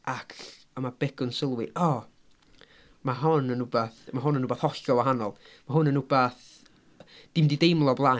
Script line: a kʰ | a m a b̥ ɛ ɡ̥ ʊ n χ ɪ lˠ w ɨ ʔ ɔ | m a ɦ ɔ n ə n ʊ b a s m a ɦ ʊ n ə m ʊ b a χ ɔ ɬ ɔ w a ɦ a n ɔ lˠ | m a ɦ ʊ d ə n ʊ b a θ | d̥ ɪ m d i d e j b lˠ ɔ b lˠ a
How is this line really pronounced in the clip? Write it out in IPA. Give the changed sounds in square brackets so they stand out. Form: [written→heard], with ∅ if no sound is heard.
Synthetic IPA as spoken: a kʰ | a m a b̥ ɛ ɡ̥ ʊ n [χ→s] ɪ lˠ w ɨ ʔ ɔ | m a ɦ ɔ n ə n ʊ b a [s→θ] m a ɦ ʊ n ə [m→n] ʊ b a [χ→θ] ɔ ɬ ɔ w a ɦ a n ɔ lˠ | m a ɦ ʊ [d→n] ə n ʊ b a θ | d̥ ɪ m d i d e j [b→m] lˠ ɔ b lˠ a